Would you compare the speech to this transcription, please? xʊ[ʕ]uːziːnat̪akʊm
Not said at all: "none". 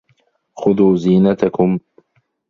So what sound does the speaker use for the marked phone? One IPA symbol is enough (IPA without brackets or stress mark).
ð